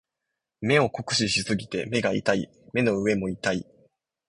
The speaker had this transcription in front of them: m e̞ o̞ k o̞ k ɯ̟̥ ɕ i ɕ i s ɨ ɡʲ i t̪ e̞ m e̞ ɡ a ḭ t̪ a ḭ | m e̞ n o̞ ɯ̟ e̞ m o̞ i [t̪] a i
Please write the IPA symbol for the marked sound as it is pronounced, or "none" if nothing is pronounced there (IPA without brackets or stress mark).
t̪